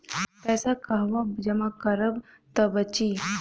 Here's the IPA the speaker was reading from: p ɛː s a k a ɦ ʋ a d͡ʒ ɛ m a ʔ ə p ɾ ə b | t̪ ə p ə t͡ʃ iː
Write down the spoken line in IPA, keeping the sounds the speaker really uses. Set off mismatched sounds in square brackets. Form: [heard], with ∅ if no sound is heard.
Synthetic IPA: p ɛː s a k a ɦ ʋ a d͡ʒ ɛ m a [k] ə [∅] ɾ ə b | t̪ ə [b] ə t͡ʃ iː